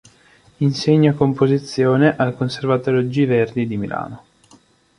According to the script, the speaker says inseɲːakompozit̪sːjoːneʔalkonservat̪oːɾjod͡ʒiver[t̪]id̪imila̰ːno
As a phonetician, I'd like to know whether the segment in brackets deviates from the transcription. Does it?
yes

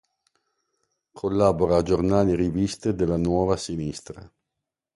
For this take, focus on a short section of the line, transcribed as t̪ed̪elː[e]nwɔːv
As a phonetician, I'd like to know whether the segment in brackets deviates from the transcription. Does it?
yes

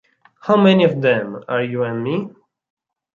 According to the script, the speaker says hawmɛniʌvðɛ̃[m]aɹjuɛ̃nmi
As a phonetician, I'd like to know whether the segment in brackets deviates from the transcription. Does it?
no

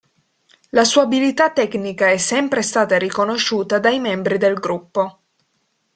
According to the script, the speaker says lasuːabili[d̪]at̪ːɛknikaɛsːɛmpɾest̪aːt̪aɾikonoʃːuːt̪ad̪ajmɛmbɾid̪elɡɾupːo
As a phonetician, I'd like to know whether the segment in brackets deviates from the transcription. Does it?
yes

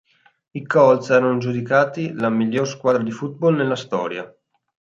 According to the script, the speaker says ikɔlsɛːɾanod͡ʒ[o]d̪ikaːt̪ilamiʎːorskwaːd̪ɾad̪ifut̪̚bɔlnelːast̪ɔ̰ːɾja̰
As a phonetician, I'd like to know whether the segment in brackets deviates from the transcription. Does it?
yes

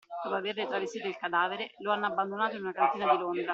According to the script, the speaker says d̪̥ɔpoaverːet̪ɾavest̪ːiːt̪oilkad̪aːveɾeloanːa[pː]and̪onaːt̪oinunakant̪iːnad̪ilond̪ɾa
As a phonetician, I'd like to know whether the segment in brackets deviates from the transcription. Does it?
yes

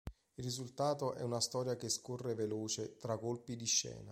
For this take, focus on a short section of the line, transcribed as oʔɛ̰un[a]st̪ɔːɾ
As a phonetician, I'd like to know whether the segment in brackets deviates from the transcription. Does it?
no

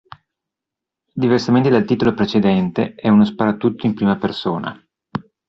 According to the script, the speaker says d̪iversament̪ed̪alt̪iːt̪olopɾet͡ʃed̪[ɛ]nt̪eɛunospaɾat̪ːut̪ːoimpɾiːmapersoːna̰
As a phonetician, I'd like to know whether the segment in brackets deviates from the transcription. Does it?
no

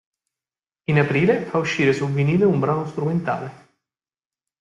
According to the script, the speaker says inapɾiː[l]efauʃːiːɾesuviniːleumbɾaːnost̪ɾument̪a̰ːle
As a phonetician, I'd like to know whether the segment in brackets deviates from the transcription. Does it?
no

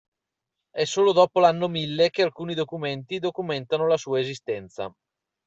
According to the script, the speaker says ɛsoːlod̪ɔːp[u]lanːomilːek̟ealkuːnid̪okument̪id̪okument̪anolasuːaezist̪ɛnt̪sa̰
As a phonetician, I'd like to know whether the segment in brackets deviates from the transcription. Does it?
yes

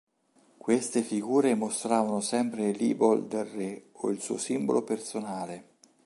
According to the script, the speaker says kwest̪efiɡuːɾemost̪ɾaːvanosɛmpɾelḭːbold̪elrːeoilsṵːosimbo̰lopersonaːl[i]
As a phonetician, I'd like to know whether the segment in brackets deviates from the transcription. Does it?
yes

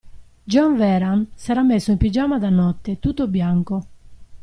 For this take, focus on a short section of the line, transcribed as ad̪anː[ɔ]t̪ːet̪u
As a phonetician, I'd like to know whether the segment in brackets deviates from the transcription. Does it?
no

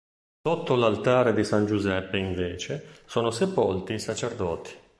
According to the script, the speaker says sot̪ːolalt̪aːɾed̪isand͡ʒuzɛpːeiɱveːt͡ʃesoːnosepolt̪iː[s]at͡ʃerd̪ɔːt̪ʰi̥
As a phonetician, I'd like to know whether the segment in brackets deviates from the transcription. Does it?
no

